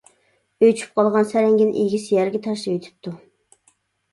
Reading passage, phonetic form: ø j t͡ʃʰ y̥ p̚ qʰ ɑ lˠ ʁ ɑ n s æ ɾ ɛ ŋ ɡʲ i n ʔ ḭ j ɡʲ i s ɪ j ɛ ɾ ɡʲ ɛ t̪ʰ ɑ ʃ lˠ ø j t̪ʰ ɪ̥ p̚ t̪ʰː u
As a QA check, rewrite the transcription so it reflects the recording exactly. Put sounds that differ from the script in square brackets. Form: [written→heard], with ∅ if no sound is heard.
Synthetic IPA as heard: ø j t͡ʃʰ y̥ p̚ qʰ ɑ lˠ ʁ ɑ n s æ ɾ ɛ ŋ ɡʲ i n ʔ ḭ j ɡʲ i s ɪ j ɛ ɾ ɡʲ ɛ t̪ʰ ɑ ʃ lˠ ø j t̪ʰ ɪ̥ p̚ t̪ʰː u